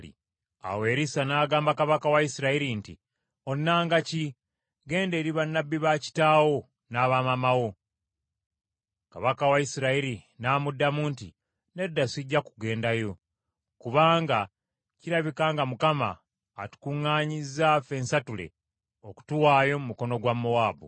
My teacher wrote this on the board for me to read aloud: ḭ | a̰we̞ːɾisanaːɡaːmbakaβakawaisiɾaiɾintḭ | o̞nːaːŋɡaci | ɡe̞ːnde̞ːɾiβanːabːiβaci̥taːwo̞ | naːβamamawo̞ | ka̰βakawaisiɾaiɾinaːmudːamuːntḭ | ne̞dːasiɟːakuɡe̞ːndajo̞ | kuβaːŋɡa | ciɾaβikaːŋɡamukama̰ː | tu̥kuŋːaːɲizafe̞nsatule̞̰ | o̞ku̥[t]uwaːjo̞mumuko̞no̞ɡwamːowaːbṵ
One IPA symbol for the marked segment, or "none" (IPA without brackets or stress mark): t